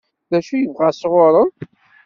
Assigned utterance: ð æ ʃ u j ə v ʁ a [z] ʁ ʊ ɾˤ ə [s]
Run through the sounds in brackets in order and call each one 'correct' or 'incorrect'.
incorrect: s, incorrect: none

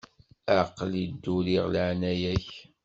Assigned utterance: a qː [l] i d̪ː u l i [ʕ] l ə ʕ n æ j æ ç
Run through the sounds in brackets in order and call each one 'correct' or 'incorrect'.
correct, incorrect: ʁ

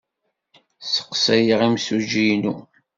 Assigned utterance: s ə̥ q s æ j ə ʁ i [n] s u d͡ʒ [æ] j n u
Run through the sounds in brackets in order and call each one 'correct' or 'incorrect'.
incorrect: m, incorrect: i

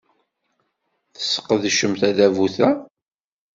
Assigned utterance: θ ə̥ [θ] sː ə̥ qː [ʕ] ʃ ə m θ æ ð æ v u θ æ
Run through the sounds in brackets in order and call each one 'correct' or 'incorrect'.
incorrect: none, incorrect: ð

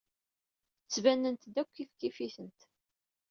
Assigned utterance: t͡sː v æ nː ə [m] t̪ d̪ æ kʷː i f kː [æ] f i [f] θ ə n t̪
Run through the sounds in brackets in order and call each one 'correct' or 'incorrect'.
incorrect: n, incorrect: i, incorrect: none

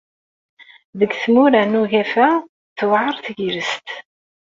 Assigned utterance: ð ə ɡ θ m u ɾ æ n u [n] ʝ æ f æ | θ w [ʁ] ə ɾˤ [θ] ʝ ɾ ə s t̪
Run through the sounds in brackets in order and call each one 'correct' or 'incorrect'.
incorrect: none, incorrect: ʕ, correct

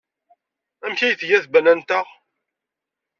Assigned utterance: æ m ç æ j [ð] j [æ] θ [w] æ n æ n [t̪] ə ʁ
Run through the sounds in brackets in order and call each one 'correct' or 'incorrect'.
incorrect: θ, correct, incorrect: b, correct

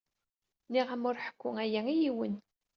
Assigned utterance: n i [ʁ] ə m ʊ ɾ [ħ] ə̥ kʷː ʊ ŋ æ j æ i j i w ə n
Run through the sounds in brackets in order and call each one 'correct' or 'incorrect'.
correct, correct

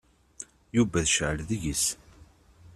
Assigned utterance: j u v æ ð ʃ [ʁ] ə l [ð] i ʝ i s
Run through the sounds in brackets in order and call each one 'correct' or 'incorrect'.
incorrect: ʕ, correct

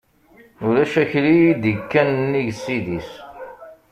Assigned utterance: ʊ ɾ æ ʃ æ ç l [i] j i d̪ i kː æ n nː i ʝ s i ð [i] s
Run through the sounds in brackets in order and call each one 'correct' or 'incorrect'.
correct, correct

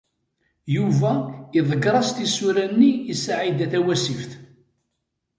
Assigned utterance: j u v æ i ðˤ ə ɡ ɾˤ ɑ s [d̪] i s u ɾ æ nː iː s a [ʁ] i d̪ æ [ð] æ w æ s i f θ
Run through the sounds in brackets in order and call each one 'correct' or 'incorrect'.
incorrect: t̪, incorrect: ʕ, incorrect: θ

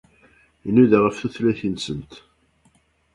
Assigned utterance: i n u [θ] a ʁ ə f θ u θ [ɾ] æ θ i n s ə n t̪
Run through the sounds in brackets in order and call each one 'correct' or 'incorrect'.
incorrect: ð, incorrect: l

